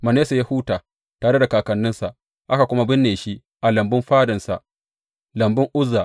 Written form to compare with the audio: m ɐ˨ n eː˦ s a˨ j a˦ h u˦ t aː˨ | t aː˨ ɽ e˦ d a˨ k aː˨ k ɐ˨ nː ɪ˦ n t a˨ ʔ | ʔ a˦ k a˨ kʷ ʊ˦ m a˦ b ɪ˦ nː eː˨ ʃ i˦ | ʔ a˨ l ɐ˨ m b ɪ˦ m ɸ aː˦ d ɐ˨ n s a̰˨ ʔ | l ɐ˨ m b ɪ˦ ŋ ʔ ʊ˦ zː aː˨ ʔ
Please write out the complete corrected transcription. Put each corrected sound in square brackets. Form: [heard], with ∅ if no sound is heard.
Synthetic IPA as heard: m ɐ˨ n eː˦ s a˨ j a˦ h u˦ t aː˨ | t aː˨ ɽ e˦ d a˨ k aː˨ k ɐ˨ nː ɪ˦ n [s] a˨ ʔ | ʔ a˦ k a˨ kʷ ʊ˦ m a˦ b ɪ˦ nː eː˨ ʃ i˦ | ʔ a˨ l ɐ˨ m b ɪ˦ m ɸ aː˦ d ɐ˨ n s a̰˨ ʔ | l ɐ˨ m b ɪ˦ ŋ ʔ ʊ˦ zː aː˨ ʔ